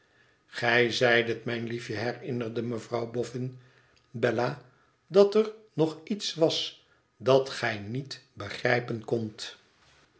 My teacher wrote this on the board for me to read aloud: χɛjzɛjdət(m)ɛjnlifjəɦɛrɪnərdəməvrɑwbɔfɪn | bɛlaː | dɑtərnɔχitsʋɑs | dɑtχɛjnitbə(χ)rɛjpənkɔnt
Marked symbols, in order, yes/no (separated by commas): yes, yes